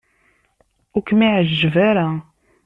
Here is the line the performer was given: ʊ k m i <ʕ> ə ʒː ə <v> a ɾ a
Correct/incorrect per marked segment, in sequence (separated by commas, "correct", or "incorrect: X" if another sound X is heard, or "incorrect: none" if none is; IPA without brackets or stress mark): correct, correct